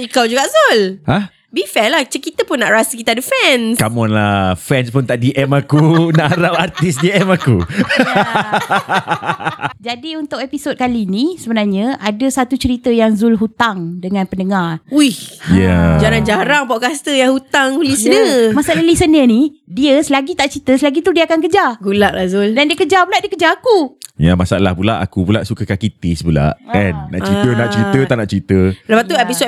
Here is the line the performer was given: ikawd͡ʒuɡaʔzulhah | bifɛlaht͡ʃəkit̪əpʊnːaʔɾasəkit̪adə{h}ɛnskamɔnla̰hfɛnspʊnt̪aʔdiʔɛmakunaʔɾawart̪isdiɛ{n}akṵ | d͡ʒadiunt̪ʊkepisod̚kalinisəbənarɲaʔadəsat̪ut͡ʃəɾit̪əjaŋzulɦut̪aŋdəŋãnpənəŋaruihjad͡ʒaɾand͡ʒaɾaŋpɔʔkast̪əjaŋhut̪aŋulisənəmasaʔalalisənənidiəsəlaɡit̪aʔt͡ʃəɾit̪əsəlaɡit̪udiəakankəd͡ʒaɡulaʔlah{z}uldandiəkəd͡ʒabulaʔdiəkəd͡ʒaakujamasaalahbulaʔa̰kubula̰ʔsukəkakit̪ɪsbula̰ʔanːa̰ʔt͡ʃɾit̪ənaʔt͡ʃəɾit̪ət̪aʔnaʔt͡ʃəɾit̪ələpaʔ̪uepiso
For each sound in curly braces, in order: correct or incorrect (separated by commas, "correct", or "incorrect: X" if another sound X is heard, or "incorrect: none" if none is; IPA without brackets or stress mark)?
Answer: incorrect: f, incorrect: m, correct